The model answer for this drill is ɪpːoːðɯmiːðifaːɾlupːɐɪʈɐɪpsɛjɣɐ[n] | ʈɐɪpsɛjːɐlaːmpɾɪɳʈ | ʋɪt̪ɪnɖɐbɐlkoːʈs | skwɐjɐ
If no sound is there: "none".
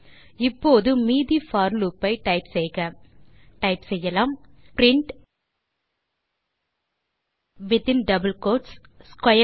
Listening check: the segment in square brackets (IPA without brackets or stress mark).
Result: none